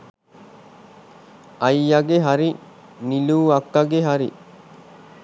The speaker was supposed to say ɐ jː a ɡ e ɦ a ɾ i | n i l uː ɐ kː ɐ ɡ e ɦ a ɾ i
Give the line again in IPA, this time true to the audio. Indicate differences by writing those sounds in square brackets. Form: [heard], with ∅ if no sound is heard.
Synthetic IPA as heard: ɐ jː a ɡ e ɦ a ɾ i | n i l uː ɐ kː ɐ ɡ e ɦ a ɾ i